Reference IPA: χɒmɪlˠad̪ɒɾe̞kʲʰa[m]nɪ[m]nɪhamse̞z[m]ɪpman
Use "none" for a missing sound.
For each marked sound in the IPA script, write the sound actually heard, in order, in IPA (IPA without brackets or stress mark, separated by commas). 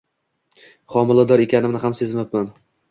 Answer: none, m, m